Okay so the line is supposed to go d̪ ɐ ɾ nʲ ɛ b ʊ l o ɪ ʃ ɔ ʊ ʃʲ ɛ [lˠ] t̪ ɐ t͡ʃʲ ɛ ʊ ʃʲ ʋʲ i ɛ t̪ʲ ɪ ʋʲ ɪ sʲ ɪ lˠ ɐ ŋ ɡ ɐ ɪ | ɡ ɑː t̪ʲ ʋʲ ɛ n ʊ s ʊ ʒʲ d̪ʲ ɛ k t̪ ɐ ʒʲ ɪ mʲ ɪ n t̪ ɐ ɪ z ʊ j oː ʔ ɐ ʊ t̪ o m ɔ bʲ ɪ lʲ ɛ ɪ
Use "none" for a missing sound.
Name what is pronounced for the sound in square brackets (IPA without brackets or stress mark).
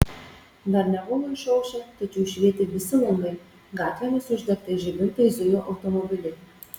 none